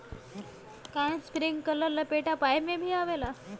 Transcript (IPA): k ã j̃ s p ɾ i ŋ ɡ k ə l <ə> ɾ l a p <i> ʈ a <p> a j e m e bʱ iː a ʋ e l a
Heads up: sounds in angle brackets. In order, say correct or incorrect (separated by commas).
correct, incorrect, correct